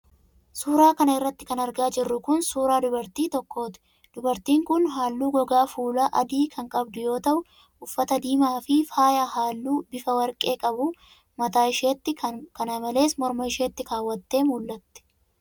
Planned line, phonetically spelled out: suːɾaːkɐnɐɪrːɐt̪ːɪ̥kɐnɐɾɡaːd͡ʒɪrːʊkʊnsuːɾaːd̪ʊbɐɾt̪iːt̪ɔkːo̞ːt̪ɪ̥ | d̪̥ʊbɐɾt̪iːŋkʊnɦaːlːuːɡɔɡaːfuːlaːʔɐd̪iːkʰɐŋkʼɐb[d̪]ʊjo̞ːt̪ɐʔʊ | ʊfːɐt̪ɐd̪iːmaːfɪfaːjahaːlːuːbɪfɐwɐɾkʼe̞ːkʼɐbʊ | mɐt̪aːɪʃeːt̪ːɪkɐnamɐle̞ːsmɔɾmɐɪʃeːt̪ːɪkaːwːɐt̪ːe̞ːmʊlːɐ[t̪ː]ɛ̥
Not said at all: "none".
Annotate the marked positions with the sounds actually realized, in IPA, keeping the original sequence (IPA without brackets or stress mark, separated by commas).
d̪, t̪ː